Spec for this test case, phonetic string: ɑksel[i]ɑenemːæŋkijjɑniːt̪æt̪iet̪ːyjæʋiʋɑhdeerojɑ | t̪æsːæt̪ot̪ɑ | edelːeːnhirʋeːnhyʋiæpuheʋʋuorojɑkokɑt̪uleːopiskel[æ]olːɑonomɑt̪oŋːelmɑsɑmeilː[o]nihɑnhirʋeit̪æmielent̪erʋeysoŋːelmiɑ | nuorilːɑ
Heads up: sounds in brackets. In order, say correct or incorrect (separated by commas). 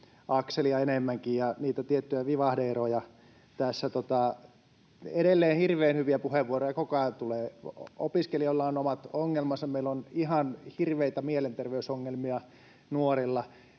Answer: correct, incorrect, correct